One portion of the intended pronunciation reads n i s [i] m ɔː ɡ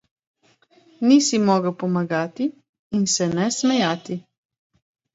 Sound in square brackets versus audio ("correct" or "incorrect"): correct